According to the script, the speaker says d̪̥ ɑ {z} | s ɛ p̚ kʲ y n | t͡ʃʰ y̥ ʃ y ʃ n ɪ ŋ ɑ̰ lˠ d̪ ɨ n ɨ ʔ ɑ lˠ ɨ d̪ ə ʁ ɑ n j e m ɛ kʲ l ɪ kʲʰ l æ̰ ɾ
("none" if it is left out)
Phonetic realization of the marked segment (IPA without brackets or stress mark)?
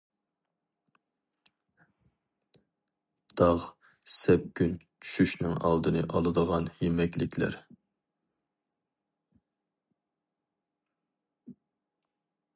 ʁ